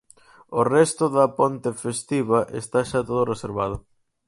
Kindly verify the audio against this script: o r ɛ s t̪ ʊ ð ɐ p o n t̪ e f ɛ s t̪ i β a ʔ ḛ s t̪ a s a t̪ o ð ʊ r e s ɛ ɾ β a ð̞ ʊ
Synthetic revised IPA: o r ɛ s t̪ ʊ ð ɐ p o n t̪ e f e s t̪ i β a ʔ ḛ s t̪ a ʃ a t̪ o ð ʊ r e s e ɾ β a ð̞ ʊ